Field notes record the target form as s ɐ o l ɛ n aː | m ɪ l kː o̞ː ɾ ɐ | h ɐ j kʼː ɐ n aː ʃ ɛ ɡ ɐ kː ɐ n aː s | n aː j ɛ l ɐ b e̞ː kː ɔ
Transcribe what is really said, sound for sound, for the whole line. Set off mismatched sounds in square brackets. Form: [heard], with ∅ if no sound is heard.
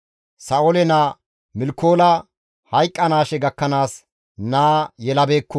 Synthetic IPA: s ɐ o l ɛ n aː | m ɪ l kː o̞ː [l] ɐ | h ɐ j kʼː ɐ n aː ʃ ɛ ɡ ɐ kː ɐ n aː s | n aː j ɛ l ɐ b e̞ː kː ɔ